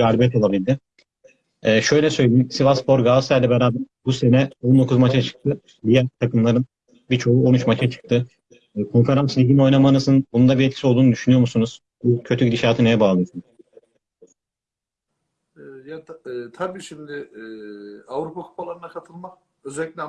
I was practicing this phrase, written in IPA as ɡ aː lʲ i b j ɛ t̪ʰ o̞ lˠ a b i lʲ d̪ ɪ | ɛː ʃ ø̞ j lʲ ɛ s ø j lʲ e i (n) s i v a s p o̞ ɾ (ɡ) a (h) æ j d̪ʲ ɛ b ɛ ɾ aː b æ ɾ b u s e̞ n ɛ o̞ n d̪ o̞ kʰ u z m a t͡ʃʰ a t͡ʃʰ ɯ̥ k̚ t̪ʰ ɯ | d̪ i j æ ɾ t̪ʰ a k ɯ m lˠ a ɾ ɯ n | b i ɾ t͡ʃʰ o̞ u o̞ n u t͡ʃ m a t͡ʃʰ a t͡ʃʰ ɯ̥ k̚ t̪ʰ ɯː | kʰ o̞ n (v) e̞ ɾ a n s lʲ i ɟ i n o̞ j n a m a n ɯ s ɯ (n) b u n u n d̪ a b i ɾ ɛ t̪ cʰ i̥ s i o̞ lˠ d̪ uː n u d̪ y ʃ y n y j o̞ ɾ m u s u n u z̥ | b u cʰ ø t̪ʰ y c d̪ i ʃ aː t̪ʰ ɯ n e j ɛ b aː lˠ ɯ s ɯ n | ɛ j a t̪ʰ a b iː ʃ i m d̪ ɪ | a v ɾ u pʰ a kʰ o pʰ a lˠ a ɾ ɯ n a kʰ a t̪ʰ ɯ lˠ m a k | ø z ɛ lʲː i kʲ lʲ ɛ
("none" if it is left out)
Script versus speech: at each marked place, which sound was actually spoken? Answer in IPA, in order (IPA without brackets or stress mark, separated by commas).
m, ɡ, s, f, n